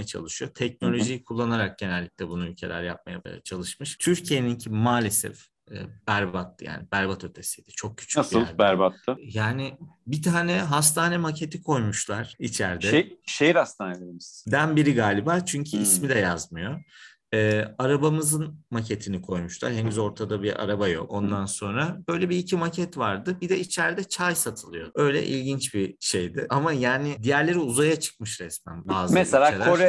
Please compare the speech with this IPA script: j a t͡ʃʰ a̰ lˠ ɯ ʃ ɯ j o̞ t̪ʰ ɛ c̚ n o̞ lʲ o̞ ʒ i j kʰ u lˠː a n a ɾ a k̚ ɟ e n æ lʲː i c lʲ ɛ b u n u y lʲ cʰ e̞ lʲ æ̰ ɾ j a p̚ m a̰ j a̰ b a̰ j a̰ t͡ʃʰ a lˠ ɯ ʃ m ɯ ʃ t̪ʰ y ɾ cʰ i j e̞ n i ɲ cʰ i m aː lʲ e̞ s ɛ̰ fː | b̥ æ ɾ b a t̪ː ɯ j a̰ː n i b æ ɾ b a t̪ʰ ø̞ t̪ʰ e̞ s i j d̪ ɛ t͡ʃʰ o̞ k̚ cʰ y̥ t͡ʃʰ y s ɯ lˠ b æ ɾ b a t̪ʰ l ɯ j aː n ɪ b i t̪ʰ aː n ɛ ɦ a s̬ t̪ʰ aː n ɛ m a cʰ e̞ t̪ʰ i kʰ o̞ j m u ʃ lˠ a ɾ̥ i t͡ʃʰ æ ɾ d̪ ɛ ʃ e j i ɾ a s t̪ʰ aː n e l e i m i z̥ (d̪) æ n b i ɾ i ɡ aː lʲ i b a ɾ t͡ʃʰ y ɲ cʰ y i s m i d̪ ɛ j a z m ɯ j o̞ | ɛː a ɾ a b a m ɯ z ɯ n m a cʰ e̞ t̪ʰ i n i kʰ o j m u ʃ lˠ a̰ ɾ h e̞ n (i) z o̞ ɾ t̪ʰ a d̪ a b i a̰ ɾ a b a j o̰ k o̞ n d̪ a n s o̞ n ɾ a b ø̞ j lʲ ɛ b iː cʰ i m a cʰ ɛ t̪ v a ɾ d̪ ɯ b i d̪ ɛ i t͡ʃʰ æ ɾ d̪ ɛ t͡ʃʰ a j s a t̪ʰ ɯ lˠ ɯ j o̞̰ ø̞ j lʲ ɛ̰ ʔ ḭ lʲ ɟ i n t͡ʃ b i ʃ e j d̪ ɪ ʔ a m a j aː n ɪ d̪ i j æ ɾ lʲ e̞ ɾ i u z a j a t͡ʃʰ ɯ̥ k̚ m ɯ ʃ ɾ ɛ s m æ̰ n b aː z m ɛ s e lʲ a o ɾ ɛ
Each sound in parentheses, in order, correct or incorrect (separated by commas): correct, incorrect